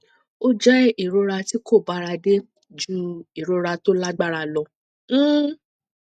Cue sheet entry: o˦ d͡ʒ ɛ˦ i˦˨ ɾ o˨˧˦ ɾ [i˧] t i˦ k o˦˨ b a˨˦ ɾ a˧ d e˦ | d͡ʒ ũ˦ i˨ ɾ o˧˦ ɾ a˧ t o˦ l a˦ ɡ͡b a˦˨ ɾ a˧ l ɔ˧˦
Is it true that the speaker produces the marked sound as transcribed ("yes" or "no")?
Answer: no